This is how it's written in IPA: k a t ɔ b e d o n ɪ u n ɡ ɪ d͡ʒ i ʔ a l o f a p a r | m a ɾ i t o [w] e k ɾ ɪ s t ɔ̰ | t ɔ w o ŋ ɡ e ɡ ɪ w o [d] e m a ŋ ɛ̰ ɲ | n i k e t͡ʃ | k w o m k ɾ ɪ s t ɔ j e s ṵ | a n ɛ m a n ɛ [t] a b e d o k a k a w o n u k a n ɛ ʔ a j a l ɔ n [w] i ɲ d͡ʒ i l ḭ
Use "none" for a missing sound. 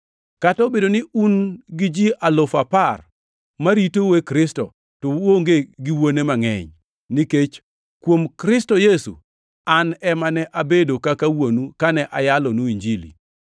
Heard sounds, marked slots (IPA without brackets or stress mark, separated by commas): w, n, ʔ, u